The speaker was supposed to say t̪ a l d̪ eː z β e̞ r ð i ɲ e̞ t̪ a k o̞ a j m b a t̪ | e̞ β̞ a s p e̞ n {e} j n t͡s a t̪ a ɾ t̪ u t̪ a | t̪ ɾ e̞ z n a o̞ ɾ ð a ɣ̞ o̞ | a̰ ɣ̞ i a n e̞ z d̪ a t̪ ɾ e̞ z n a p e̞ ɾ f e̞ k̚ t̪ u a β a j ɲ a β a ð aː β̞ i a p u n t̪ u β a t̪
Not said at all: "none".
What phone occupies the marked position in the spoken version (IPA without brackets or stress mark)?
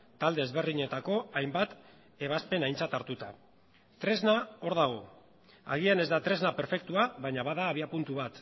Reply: a